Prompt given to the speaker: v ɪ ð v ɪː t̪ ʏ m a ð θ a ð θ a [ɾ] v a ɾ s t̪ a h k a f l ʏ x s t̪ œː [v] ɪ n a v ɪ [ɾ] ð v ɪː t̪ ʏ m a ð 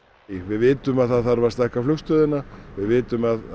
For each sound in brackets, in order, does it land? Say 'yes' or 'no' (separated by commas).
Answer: yes, no, no